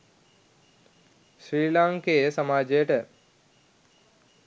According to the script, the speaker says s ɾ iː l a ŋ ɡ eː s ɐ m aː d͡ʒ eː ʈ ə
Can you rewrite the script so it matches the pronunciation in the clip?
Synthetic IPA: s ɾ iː l a ŋ k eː s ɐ m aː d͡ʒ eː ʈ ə